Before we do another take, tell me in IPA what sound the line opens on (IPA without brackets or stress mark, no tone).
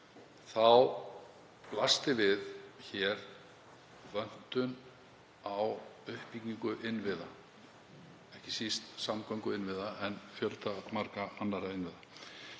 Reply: θ